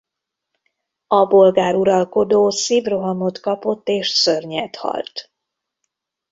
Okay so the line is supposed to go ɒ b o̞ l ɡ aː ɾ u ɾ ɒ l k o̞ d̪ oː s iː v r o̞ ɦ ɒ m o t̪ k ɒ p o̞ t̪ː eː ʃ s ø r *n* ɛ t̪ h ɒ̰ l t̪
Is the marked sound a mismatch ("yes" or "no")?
yes